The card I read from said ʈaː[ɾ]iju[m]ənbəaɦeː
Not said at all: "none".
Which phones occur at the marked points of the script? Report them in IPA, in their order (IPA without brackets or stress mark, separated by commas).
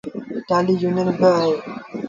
l, n